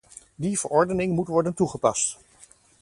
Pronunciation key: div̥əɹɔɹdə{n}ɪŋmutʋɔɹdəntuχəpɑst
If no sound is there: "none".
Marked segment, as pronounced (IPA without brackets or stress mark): n